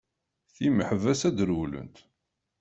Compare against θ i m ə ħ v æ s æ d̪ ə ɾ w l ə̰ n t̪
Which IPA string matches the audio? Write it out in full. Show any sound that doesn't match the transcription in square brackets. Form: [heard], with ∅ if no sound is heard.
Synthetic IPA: θ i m ə ħ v æ s æ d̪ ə ɾ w l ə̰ n t̪